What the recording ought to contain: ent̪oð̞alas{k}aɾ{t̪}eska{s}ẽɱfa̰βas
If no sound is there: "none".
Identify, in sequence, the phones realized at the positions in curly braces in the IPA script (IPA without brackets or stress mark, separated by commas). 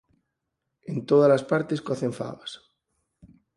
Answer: p, t̪, θ